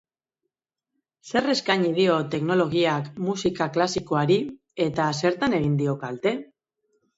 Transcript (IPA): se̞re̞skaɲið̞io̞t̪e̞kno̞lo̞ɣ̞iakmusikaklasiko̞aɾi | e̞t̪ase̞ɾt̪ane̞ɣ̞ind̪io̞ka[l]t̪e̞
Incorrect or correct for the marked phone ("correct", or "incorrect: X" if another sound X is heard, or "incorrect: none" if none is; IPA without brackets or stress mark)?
correct